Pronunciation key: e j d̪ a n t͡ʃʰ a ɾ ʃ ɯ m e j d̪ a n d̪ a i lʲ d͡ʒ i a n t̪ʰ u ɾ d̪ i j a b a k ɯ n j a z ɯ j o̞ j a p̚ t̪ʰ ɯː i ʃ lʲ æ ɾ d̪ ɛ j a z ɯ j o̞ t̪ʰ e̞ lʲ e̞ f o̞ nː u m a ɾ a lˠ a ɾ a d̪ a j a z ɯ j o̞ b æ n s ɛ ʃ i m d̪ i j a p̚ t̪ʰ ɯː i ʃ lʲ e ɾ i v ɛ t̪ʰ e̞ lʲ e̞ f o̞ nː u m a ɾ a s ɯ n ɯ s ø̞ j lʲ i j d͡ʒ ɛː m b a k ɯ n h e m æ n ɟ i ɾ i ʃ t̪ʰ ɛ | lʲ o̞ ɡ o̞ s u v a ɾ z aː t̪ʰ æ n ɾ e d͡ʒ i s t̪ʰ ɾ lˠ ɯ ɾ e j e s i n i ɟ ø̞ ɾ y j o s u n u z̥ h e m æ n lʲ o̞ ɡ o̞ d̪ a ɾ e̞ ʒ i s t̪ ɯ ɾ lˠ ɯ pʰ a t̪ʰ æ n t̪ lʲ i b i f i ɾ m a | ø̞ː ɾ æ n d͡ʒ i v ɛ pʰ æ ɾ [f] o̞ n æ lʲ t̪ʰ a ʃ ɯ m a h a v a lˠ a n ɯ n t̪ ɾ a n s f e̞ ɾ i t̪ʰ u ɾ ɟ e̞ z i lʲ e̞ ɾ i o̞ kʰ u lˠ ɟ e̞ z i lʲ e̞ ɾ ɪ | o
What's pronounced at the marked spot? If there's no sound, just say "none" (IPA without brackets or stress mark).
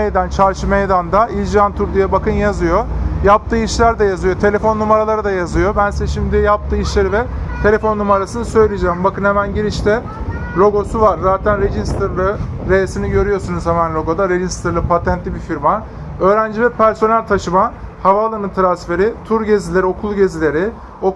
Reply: s